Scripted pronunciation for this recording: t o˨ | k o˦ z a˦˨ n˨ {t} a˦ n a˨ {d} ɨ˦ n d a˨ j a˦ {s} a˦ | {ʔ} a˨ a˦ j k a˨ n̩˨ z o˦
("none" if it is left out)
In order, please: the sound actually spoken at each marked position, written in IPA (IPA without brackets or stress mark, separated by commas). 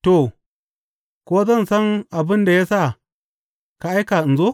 s, b, s, k